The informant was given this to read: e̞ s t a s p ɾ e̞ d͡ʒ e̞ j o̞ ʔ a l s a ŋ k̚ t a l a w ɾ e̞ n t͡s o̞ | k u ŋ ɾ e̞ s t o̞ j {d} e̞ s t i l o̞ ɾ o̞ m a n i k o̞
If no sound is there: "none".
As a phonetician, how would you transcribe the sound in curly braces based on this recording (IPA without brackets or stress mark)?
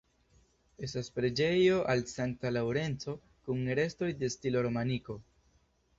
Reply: d